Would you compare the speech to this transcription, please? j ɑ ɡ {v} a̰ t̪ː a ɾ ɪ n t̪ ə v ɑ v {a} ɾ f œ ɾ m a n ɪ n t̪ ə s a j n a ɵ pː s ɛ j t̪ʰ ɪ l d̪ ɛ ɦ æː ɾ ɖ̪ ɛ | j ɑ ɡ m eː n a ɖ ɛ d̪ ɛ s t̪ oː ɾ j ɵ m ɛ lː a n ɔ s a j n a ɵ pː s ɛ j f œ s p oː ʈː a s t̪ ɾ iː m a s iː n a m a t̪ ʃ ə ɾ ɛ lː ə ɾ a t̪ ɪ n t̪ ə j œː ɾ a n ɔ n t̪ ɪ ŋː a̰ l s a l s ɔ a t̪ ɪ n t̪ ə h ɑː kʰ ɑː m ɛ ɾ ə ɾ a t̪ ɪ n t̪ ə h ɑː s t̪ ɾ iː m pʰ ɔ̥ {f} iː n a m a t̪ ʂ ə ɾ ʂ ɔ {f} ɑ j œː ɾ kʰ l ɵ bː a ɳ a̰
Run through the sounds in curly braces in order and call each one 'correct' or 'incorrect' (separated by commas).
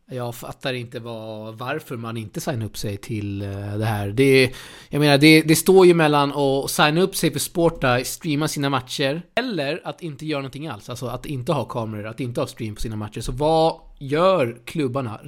incorrect, correct, incorrect, incorrect